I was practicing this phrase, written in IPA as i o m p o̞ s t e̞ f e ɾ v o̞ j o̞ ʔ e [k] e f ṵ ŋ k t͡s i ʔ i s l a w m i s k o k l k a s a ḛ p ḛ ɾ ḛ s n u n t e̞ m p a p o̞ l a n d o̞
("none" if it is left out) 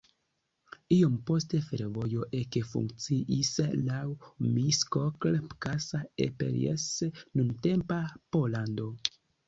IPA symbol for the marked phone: k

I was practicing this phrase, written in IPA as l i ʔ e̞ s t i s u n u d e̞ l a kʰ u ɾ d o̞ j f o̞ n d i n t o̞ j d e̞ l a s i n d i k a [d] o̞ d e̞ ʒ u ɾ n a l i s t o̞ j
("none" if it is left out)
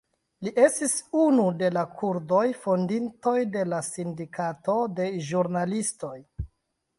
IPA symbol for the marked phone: t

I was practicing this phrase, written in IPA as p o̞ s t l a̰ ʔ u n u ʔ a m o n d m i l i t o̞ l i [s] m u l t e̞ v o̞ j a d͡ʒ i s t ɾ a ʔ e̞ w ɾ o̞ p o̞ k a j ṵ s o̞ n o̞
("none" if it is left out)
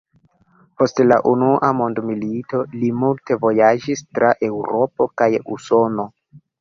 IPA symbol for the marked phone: none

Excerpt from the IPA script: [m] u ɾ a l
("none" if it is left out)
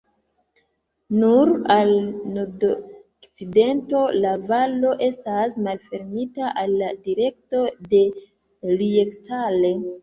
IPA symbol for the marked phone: n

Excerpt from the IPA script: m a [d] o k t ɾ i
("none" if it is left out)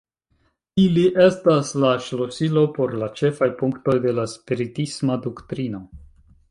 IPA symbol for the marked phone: d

